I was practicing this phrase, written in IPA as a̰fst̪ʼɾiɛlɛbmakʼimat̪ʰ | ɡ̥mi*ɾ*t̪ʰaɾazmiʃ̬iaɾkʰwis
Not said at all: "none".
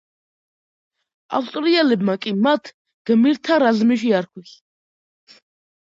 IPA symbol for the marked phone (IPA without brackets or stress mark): ɾ